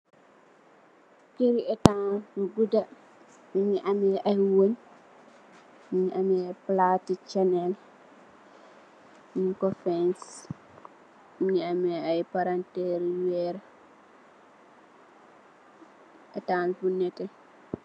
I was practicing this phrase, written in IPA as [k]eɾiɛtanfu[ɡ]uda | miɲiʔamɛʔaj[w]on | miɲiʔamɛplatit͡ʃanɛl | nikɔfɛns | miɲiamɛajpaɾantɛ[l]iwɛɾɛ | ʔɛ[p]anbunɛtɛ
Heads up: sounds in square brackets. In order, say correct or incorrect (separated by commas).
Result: correct, correct, correct, incorrect, incorrect